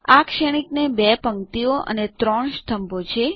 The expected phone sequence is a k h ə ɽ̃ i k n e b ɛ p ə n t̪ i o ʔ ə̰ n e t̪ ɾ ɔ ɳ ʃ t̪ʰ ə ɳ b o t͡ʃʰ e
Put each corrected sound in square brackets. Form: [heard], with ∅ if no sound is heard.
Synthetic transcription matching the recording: a k [ʃ] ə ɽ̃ i k n e b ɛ p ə [ŋ] t̪ i o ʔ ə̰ n e t̪ ɾ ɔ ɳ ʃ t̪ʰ ə [m] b o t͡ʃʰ e